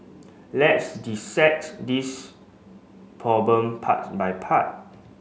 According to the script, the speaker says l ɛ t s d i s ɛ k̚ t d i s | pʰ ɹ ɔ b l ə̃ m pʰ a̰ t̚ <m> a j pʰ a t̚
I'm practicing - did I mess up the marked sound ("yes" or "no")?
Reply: yes